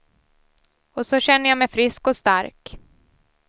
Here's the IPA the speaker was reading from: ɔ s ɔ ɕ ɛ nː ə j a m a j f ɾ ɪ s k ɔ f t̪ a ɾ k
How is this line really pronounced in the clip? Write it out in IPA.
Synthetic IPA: ɔ s ɔ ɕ ɛ nː ə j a m ɛ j f ɾ ɪ s k ɔ s t̪ a ɾ k